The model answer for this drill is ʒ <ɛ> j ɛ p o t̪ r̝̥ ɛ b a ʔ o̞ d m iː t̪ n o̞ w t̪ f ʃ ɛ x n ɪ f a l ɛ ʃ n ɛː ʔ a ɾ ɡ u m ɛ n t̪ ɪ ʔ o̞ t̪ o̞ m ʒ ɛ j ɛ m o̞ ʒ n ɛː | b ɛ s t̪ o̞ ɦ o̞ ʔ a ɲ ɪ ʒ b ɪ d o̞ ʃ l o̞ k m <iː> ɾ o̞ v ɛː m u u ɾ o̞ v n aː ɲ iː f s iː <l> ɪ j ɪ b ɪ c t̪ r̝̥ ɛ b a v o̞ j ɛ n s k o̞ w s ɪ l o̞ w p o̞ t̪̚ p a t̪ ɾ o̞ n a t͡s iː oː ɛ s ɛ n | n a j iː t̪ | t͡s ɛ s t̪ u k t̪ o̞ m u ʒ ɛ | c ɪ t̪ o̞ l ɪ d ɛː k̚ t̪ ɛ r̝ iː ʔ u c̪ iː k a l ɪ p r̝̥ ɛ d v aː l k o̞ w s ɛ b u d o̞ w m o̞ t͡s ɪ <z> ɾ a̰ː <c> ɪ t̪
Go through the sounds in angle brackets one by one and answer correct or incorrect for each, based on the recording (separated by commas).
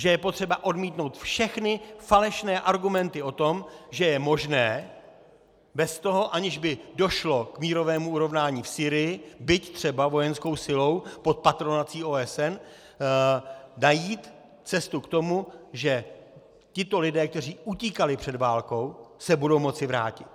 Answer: correct, correct, incorrect, incorrect, correct